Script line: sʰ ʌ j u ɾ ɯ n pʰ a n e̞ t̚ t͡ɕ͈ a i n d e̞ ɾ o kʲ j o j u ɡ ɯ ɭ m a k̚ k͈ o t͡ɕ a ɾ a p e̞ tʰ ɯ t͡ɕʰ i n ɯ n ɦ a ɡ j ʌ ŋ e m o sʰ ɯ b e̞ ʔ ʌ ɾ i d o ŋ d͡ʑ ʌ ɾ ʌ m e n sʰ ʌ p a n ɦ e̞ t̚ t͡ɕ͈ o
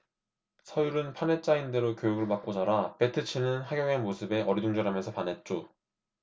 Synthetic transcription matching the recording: sʰ ʌ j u ɾ ɯ n pʰ a n e̞ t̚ t͡ɕ͈ a i n d e̞ ɾ o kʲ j o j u ɡ ɯ ɭ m a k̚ k͈ o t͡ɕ a ɾ a p e̞ tʰ ɯ t͡ɕʰ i n ɯ n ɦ a ɡ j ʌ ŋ e m o sʰ ɯ b e̞ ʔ ʌ ɾ i d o ŋ d͡ʑ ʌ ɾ a m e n sʰ ʌ p a n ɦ e̞ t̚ t͡ɕ͈ o